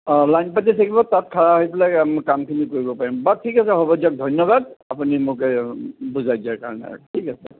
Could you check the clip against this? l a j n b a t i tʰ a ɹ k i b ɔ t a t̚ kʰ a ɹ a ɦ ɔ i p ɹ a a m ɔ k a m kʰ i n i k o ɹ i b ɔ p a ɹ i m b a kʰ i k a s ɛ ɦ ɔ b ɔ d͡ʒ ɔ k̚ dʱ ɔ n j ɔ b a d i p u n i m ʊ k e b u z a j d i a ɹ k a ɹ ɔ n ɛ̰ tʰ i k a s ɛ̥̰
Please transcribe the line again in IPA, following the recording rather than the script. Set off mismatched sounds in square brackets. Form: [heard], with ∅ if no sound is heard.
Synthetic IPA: l a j n [p] a t i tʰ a [∅] k i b ɔ t a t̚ kʰ a ɹ a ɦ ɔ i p [l] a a m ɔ k a m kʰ i n i k o ɹ i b ɔ p a ɹ i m b a [tʰ] i k a s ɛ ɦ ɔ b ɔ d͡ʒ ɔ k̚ dʱ ɔ n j ɔ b a d [a] p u n i m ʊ k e b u z a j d i a ɹ k a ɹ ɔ n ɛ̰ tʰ i k a s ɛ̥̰